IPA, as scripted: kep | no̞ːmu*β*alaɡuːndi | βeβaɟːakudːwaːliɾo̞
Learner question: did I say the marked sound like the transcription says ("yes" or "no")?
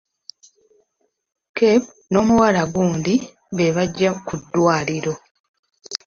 no